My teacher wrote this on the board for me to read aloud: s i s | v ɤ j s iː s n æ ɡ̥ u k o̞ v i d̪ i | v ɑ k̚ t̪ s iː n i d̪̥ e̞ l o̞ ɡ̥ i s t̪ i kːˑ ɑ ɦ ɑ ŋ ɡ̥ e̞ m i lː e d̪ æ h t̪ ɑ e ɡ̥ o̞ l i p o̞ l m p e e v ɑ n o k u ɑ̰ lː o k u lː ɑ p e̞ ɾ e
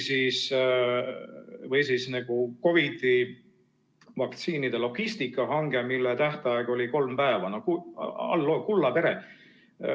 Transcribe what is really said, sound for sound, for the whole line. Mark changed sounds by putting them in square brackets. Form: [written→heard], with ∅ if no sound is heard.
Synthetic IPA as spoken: s i s | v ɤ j s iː s n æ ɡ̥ u k o̞ v i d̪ i | v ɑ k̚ t̪ s iː n i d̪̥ e̞ l o̞ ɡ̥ i s t̪ i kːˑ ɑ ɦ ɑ ŋ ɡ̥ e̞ m i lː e [d̪→t̪] æ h t̪ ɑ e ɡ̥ o̞ l i [p→k] o̞ l m p [e→æ] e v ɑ n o k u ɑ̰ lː o k u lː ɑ p e̞ ɾ e